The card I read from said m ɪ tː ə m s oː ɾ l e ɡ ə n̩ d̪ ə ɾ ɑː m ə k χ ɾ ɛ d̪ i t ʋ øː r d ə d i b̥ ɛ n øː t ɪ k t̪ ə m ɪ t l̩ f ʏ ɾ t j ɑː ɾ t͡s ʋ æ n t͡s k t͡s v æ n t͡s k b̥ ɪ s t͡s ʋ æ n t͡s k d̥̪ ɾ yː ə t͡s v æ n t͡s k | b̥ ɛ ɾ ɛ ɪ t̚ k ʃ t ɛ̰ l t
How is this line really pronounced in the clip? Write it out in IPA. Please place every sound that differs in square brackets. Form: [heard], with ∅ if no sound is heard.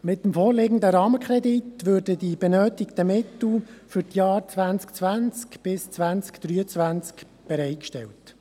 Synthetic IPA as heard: m ɪ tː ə m [f] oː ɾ l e ɡ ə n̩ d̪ ə ɾ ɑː m ə k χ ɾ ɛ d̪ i t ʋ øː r d ə d i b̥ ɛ n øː t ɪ k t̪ ə m ɪ t l̩ f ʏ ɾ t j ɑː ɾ t͡s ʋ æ n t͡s k t͡s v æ n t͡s k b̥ ɪ s t͡s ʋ æ n t͡s k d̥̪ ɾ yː ə t͡s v æ n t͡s k | b̥ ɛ ɾ ɛ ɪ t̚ k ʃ t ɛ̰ l t